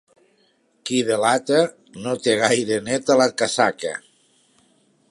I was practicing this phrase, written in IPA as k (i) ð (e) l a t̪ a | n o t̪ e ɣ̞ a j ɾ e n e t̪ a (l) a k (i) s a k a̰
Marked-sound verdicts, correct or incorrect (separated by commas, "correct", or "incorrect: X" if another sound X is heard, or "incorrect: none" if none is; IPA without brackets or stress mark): correct, correct, correct, incorrect: a